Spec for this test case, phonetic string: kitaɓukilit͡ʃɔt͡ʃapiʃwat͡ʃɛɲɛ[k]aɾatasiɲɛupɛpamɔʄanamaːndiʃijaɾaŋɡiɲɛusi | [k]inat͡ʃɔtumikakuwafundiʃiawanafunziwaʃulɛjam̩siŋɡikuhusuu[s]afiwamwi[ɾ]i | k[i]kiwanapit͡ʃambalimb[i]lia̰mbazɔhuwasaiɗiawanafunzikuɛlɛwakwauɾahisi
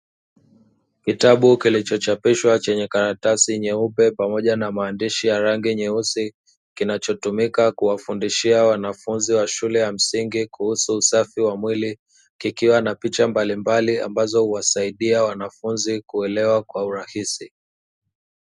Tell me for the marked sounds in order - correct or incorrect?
correct, correct, correct, incorrect, correct, incorrect

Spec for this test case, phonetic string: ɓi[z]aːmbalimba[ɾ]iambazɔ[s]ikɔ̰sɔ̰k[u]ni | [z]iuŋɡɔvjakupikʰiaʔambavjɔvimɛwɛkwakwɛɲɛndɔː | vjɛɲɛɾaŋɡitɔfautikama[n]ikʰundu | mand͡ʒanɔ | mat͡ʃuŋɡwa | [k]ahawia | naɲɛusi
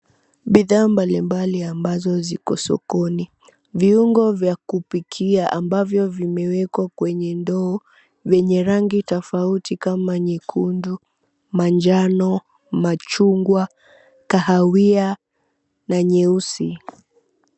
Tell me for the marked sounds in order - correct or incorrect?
incorrect, incorrect, incorrect, incorrect, incorrect, incorrect, correct

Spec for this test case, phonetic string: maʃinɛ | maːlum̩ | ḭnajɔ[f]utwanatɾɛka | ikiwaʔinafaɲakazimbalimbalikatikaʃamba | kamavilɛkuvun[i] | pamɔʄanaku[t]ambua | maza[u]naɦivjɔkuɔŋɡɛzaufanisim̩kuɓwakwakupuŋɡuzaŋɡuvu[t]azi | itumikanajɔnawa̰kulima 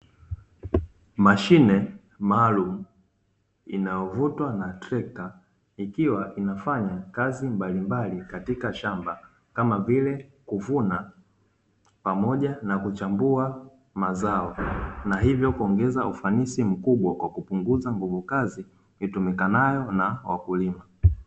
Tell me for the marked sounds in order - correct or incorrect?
incorrect, incorrect, incorrect, incorrect, incorrect

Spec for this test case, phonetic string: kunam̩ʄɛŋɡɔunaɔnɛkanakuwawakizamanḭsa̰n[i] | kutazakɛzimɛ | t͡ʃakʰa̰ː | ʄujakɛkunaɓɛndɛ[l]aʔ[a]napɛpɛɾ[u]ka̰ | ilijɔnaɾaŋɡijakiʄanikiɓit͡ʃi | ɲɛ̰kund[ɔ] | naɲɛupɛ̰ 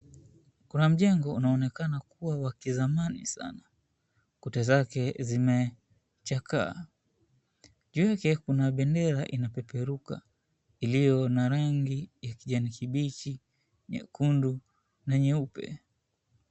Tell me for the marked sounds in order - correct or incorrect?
incorrect, incorrect, incorrect, correct, incorrect

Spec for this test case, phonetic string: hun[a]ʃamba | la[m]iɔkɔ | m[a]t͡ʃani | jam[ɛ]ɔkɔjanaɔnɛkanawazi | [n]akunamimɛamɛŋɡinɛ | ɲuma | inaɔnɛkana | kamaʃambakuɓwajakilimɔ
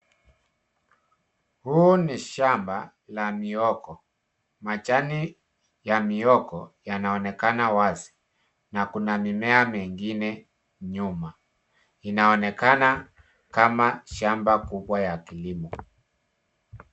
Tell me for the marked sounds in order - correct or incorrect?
incorrect, correct, correct, incorrect, correct

